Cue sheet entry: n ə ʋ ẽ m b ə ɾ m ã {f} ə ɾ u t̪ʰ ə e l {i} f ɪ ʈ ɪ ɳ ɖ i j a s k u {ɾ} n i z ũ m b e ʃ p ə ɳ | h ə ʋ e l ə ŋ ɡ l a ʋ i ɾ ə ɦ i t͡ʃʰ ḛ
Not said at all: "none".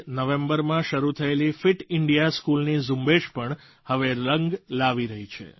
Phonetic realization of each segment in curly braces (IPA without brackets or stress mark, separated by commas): ʃ, i, l